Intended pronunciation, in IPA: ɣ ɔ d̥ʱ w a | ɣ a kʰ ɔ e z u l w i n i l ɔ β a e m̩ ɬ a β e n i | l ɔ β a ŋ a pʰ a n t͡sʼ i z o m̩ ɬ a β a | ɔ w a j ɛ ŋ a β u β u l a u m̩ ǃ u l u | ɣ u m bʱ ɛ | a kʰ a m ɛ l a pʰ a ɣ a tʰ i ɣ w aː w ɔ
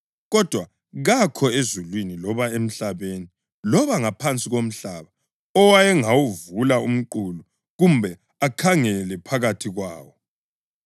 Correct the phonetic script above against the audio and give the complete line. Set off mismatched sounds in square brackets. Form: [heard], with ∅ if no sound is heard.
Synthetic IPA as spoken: ɣ ɔ d̥ʱ w a | ɣ a kʰ ɔ e z u l w i n i l ɔ β a e m̩ ɬ a β e n i | l ɔ β a ŋ a pʰ a n t͡sʼ i [ɣ] o m̩ ɬ a β a | ɔ w a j ɛ ŋ a [w] u [v] u l a u m̩ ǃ u l u | ɣ u m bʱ ɛ | a kʰ a [ŋ] ɛ l [ɛ] pʰ a ɣ a tʰ i ɣ w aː w ɔ